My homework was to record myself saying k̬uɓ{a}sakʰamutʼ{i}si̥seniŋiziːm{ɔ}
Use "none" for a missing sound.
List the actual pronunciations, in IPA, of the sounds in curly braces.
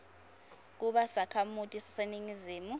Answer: a, i, u

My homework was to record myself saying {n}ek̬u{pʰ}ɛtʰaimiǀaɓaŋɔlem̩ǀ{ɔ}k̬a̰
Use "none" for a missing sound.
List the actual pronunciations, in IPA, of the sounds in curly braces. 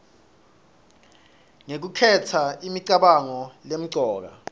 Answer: ŋ, kʰ, ɔː

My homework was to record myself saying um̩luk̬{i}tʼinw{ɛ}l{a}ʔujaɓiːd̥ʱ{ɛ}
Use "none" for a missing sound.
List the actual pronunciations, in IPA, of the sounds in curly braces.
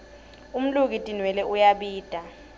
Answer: i, ɛ, ɛ, a

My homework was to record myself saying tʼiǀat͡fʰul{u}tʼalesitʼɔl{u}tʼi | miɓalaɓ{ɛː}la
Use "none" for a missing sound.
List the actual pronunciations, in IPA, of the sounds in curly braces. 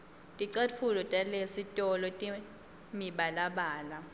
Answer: ɔ, ɔ, aː

